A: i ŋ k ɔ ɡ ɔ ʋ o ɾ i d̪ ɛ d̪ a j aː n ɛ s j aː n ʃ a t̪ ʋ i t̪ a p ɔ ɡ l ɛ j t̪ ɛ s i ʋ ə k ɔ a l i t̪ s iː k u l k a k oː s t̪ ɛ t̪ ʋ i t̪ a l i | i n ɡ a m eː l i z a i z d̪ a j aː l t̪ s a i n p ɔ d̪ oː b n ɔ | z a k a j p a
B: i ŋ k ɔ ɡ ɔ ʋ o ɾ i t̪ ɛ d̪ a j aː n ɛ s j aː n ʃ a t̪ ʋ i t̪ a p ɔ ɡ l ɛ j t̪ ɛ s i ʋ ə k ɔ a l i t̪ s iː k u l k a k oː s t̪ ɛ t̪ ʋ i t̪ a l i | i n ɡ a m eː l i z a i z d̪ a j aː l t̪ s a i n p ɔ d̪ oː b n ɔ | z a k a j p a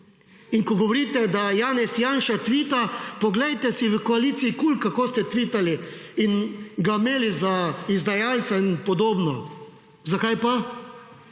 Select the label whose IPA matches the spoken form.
B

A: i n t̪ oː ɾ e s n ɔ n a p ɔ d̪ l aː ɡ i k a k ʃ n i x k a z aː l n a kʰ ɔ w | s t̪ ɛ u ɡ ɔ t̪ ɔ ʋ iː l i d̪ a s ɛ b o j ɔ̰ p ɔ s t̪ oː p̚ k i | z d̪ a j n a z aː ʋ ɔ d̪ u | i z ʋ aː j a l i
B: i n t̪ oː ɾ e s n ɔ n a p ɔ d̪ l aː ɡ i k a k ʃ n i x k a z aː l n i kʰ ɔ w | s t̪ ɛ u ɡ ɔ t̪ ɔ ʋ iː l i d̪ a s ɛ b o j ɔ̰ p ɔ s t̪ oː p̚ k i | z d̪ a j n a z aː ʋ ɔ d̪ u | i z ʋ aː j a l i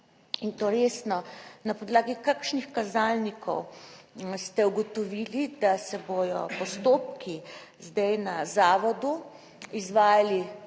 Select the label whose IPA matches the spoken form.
B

